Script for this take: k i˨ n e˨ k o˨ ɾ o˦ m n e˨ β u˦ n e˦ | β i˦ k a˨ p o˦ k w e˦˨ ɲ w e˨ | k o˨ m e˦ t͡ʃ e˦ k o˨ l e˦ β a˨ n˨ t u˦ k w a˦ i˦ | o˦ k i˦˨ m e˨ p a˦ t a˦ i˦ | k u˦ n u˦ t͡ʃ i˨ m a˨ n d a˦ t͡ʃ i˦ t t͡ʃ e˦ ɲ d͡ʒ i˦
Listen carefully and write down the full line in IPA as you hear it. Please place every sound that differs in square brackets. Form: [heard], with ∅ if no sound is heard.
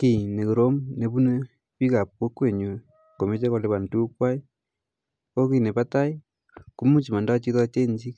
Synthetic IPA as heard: k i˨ n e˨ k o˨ ɾ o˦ m n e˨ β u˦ n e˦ | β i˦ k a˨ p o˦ k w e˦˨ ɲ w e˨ | k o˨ m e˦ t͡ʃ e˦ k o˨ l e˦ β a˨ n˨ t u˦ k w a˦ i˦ | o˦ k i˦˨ [n] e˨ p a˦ t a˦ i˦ | k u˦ [m] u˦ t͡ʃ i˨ m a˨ n d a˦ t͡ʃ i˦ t t͡ʃ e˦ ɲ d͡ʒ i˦

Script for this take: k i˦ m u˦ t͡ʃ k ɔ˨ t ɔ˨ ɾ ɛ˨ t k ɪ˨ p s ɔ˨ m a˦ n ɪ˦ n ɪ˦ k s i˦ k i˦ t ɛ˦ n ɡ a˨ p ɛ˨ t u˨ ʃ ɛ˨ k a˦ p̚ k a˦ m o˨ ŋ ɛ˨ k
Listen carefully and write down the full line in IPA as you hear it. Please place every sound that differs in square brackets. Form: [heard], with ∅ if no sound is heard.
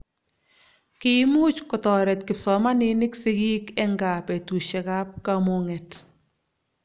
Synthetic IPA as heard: k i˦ m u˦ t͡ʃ k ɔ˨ t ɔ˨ ɾ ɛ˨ t k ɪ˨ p s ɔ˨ m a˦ n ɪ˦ n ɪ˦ k s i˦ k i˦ [k] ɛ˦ [ŋ] ɡ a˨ p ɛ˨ t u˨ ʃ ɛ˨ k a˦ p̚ k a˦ m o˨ ŋ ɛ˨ [t]

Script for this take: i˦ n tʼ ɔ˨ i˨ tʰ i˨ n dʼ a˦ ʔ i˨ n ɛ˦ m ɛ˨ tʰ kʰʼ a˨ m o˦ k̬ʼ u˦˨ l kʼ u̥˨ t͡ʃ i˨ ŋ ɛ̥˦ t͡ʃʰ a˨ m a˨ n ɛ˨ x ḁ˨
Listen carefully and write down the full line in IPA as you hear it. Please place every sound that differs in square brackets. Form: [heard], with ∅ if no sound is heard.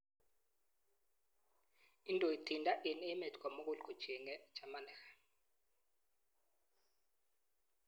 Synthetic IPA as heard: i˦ n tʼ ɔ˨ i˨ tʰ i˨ n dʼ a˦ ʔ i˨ n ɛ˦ m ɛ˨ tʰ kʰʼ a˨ m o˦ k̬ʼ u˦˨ l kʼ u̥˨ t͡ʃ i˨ ŋ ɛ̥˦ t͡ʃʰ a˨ m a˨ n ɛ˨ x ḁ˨

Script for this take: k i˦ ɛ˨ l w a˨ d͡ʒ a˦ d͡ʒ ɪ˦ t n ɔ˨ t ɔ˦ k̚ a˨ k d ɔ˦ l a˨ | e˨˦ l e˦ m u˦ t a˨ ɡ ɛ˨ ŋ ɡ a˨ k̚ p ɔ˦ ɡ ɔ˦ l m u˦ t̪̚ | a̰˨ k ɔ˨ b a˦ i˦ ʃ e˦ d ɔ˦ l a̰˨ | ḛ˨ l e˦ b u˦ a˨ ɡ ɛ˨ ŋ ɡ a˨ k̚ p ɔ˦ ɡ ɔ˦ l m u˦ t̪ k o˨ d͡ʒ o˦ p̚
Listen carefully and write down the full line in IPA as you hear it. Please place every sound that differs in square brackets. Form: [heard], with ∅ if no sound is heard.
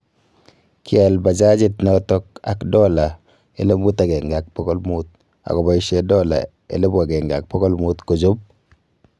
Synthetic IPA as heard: k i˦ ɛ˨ l [b] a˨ d͡ʒ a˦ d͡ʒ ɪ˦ t n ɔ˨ t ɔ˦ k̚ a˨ k d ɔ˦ l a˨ | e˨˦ l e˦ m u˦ t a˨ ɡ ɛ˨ ŋ ɡ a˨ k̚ p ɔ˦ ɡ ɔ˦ l m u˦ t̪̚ | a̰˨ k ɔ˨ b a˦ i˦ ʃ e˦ d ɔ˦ l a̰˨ | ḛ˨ l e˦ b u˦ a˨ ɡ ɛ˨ ŋ ɡ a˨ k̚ p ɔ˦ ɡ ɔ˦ l m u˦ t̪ k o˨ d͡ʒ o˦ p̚

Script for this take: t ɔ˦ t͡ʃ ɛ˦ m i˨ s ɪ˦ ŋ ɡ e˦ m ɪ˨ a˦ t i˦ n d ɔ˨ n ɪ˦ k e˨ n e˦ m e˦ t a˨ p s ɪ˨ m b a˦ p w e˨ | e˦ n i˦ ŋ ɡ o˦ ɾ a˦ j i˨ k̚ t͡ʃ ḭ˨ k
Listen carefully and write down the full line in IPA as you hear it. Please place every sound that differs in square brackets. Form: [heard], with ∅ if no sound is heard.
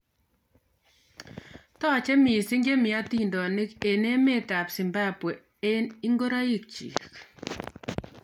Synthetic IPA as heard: t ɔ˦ t͡ʃ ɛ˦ m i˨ s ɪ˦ ŋ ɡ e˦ m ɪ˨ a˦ t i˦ n d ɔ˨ n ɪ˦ k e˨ n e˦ m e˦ t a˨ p s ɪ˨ m b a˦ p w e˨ | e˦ n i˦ ŋ ɡ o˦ ɾ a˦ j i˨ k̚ t͡ʃ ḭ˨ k

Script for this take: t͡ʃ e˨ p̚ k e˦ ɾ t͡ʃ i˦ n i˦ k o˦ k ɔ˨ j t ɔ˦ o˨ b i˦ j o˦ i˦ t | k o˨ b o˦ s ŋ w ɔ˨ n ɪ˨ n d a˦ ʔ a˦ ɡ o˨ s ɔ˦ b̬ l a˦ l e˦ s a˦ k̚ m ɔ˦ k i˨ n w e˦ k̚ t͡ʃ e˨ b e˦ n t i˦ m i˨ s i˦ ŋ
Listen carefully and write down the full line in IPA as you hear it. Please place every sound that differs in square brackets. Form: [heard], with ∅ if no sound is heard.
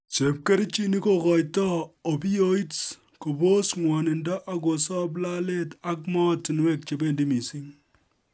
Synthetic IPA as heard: t͡ʃ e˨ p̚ k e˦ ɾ t͡ʃ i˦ n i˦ k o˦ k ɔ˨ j t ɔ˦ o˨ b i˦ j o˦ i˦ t | k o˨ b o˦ s ŋ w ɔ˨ n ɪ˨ n d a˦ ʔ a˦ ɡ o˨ s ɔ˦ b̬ l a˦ l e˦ [t] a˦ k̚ m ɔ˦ [t] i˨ n w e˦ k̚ t͡ʃ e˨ b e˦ n [d] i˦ m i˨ s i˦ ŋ

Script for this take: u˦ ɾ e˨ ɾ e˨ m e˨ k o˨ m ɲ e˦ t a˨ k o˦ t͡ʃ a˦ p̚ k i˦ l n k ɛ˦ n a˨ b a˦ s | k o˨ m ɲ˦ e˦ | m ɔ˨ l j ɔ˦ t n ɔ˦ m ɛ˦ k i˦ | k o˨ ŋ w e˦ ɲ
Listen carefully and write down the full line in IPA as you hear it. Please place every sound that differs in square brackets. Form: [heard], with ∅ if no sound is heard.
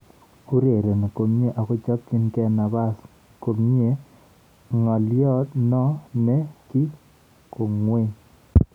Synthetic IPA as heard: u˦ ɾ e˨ ɾ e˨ [n] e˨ k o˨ m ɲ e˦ [ʔ] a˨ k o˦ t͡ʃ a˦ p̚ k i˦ [∅] n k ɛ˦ n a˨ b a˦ s | k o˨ m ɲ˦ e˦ | [ŋ] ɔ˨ l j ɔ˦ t n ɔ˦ [n] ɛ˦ k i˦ | k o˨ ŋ w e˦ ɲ

